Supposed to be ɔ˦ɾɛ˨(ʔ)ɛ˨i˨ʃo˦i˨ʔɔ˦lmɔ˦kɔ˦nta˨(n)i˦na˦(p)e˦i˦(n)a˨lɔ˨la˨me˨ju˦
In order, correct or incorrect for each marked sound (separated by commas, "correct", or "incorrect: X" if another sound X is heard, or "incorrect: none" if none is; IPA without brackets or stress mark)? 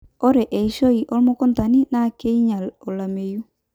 correct, correct, incorrect: k, incorrect: ɲ